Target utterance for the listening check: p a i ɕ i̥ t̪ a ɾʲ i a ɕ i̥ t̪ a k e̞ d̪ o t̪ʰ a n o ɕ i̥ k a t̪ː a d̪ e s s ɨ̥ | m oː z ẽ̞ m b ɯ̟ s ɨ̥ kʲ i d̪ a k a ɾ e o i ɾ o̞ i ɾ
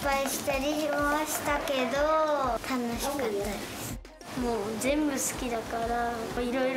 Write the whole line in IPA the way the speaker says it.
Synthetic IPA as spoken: p a i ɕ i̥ t̪ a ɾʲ i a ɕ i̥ t̪ a k e̞ d̪ o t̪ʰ a n o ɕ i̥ k a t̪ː a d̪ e s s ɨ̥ | m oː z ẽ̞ m b ɯ̟ s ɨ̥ kʲ i d̪ a k a ɾ a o i ɾ o̞ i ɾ